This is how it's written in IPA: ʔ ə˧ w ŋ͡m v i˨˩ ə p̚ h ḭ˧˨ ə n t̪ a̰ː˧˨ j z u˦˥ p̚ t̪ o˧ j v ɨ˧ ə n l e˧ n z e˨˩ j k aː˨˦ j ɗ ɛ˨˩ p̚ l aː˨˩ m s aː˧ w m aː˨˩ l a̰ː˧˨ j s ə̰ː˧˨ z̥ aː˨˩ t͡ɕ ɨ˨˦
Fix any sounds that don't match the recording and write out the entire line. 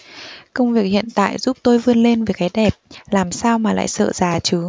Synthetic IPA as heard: k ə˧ w ŋ͡m v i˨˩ ə k̚ h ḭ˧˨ ə n t̪ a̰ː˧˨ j z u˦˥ p̚ t̪ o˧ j v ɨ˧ ə n l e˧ n v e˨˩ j k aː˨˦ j ɗ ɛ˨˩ p̚ l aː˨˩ m s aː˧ w m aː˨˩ l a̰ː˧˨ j s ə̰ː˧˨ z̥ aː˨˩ t͡ɕ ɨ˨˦